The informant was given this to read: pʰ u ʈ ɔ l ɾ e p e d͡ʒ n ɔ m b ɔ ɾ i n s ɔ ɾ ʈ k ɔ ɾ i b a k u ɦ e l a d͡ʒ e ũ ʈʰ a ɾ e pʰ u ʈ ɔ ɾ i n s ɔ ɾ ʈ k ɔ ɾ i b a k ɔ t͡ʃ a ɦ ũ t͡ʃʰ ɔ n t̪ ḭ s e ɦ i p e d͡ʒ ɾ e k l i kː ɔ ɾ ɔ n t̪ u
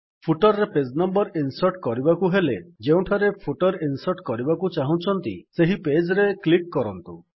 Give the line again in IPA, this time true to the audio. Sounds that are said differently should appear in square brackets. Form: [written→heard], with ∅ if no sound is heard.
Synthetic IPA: pʰ u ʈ ɔ [l→ɾ] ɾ e p e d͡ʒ n ɔ m b ɔ ɾ i n s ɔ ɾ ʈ k ɔ ɾ i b a k u ɦ e l [a→e] d͡ʒ e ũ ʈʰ a ɾ e pʰ u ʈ ɔ ɾ i n s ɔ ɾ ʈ k ɔ ɾ i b a k [ɔ→u] t͡ʃ a ɦ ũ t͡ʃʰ ɔ n t̪ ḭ s e ɦ i p e d͡ʒ ɾ e k l i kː ɔ ɾ ɔ n t̪ u